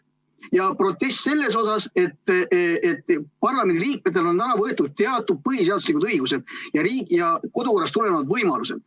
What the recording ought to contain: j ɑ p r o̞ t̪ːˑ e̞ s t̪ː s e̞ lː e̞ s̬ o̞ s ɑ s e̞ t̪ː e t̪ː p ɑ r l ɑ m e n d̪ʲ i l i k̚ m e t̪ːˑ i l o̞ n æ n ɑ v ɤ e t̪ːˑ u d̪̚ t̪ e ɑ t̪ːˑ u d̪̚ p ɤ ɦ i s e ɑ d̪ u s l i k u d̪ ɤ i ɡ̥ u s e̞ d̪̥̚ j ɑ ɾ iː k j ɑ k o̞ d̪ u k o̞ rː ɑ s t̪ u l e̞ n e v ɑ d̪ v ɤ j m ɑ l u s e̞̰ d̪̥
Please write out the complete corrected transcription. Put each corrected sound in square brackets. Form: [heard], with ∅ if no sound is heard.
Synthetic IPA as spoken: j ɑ p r o̞ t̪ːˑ e̞ s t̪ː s e̞ lː e̞ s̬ o̞ s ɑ s e̞ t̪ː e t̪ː p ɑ r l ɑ m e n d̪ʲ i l [iː] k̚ m e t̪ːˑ [e] l o̞ n æ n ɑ v ɤ e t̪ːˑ u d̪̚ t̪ e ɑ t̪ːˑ u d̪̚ p ɤ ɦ i s e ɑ d̪ u s l i k u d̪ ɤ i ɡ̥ u s e̞ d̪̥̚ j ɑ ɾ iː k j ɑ k o̞ d̪ u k o̞ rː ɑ s t̪ u l e̞ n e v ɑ d̪ v ɤ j m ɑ l u s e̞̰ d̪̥